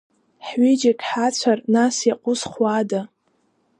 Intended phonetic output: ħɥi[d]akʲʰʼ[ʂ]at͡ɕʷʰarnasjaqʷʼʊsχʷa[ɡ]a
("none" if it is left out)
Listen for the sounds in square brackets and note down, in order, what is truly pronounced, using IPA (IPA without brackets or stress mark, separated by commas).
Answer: d͡ʒ, ħ, d